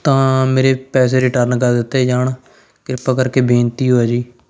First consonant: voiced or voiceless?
voiceless